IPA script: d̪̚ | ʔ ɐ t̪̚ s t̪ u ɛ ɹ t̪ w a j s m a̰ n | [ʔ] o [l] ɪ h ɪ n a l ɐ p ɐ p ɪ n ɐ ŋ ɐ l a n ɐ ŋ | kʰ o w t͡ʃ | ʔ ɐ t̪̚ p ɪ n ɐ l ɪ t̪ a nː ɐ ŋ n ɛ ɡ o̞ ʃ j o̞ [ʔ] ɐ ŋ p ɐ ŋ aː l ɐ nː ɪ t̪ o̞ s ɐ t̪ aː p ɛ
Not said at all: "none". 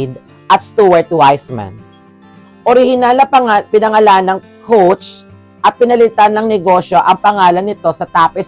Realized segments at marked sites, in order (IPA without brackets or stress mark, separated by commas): ʔ, ɾ, ʔ